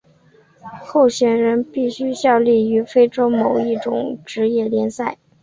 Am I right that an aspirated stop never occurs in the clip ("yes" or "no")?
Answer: yes